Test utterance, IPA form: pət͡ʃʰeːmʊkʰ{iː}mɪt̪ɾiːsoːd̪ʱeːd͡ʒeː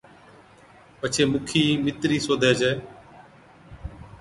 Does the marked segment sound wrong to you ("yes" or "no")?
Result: no